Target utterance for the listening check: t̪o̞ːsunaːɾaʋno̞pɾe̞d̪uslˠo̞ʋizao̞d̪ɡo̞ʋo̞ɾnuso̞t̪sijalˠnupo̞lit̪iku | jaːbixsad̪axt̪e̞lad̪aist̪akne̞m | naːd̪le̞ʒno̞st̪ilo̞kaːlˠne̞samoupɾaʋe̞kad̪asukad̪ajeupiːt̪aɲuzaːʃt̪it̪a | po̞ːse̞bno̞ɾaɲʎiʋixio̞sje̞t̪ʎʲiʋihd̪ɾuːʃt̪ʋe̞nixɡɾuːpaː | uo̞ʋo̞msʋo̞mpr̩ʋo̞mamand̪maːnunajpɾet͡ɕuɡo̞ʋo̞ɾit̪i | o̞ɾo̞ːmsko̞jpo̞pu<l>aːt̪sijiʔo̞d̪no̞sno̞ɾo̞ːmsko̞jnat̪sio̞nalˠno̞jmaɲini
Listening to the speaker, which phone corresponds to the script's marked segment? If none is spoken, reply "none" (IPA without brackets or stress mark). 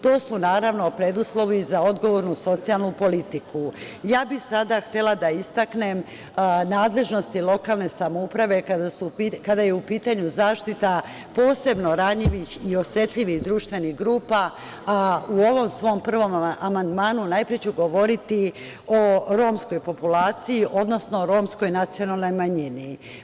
l